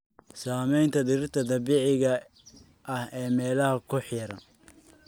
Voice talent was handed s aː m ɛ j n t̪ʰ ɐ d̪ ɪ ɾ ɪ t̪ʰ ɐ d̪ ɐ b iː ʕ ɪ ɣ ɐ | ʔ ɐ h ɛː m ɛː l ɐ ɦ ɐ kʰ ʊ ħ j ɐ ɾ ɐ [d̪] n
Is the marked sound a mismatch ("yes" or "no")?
yes